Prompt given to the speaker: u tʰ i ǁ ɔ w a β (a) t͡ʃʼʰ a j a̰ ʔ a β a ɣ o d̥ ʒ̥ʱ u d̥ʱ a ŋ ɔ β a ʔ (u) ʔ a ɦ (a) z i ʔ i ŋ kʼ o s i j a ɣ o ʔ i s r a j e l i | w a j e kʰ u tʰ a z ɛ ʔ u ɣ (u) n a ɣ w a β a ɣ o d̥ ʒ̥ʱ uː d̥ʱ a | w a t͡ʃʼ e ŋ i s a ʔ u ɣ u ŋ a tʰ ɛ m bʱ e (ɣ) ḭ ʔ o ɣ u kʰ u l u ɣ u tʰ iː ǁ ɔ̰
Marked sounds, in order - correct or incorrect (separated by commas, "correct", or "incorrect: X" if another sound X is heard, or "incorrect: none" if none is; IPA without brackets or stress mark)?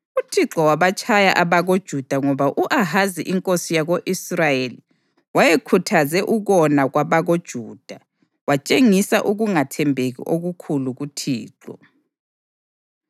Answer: correct, correct, correct, incorrect: ɔ, correct